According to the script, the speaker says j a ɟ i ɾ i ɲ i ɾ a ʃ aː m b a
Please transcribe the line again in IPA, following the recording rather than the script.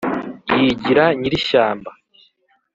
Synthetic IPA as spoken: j i ɟ i ɾ a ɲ i ɾ i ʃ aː m b a